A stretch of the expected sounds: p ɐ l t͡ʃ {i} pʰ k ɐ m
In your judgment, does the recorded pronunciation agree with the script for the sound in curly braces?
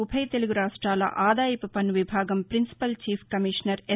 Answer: no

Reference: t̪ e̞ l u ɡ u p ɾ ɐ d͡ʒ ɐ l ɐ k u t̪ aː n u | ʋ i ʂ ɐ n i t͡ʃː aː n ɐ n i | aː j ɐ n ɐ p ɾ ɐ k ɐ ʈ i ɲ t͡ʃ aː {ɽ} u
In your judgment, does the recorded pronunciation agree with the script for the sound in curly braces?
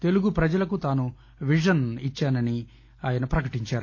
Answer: no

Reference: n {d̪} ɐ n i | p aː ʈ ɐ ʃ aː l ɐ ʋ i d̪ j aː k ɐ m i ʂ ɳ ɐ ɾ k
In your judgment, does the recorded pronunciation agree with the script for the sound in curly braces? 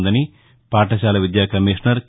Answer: yes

